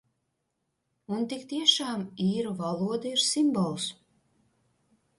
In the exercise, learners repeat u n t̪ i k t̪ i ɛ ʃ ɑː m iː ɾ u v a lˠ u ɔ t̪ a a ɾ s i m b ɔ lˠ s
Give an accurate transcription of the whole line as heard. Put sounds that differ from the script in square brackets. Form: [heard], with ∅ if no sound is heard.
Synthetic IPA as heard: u n t̪ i k t̪ i ɛ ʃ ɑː m iː ɾ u v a lˠ u ɔ [d̪] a [i] ɾ s i m b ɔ lˠ s